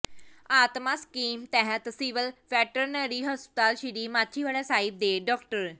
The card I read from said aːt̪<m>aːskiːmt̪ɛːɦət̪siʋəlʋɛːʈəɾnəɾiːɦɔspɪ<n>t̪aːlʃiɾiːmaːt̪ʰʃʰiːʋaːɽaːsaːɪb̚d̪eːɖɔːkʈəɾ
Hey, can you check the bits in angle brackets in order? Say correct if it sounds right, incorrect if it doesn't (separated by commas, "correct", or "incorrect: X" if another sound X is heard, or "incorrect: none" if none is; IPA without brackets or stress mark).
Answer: correct, incorrect: none